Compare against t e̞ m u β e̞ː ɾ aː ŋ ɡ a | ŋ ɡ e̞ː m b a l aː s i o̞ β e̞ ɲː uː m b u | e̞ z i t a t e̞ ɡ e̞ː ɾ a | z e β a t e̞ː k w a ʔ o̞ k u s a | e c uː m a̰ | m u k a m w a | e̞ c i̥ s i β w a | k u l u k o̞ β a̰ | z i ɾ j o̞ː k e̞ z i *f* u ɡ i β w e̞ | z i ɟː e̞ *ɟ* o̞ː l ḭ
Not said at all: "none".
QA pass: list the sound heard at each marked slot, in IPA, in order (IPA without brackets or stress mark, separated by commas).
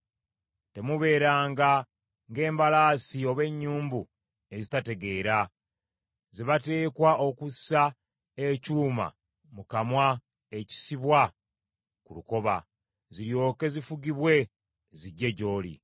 f, ɟ